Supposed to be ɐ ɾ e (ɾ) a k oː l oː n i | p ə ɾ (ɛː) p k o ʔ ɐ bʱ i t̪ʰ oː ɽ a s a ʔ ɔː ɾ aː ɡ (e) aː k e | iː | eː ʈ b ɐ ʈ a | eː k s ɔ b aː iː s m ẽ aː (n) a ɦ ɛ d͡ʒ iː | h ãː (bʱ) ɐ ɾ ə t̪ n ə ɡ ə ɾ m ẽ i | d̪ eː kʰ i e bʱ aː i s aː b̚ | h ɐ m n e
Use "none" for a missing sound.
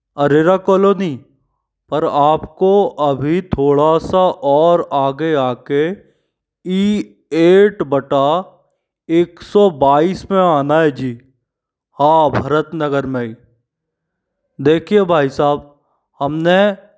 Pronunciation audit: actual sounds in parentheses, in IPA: ɾ, aː, e, n, bʱ

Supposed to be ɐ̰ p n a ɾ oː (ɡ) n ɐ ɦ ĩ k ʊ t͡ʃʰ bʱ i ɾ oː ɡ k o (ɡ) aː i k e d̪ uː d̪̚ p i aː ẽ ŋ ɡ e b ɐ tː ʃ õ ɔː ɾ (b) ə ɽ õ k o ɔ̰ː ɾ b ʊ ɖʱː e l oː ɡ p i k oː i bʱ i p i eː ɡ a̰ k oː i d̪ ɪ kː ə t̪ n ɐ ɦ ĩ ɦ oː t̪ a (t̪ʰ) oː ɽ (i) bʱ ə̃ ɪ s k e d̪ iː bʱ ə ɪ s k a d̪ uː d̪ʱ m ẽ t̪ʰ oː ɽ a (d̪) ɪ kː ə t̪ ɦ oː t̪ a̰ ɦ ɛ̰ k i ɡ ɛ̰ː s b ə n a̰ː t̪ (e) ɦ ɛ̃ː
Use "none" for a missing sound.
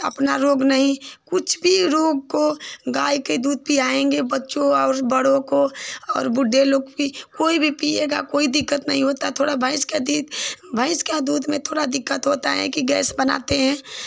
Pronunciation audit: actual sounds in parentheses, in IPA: ɡ, ɡ, b, t̪ʰ, a, d̪, e

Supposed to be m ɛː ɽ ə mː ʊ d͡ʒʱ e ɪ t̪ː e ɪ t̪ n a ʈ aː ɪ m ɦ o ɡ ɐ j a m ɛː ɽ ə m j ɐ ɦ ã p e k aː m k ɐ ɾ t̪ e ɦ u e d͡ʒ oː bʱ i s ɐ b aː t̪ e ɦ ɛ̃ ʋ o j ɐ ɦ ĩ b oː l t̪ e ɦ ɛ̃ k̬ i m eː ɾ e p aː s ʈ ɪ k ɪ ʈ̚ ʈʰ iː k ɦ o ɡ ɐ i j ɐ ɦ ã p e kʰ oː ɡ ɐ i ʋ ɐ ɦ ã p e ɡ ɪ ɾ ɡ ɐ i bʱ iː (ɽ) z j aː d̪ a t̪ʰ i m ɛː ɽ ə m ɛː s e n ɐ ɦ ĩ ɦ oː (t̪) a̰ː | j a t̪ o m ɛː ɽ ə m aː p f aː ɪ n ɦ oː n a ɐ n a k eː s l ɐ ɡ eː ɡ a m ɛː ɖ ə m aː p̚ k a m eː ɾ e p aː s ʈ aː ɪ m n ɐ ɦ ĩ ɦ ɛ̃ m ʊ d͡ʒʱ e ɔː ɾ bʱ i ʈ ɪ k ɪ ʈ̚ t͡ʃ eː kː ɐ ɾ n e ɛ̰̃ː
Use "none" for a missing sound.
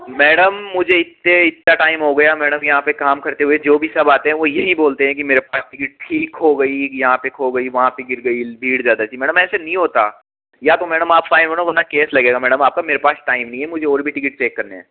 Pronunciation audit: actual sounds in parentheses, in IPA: ɽ, t̪

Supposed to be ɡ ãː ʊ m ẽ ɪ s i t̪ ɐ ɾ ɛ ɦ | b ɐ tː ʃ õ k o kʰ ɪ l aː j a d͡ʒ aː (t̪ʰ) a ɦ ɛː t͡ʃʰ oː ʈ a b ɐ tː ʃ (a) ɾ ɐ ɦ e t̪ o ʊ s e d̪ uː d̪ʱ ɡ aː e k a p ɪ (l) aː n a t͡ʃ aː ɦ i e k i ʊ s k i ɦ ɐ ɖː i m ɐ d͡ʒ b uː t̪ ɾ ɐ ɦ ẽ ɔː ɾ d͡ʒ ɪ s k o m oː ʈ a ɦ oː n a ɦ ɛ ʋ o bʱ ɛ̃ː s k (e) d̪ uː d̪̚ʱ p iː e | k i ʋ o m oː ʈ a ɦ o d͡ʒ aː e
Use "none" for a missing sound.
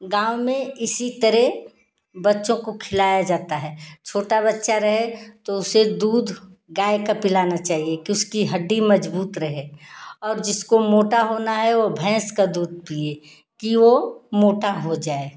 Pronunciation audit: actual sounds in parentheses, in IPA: t̪, a, l, a

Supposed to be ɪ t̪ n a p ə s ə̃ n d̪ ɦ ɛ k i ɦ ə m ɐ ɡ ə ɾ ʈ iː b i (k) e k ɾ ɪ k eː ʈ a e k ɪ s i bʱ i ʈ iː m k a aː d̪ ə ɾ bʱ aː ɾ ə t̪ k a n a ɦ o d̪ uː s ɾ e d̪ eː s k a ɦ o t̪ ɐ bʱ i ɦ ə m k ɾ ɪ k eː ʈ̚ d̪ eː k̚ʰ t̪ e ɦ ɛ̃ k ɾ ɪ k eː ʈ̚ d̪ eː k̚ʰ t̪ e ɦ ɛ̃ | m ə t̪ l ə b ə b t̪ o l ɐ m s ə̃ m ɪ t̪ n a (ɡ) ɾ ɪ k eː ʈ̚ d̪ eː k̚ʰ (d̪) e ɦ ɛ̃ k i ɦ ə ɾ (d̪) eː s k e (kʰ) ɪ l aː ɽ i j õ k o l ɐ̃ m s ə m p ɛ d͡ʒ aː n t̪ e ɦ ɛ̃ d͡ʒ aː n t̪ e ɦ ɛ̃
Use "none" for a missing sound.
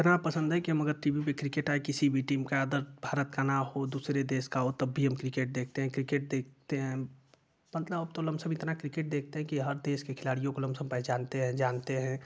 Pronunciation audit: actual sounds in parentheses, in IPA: p, k, t̪, d̪, kʰ

